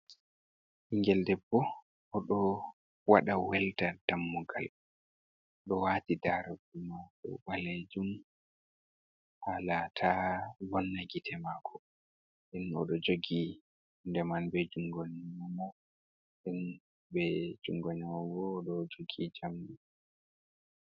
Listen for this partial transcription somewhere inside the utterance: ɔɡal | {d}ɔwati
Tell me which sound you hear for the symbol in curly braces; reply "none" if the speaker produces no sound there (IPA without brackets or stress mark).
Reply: ɗ